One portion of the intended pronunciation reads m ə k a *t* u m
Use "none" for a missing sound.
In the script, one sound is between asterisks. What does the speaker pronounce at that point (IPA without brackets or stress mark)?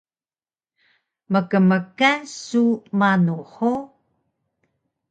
s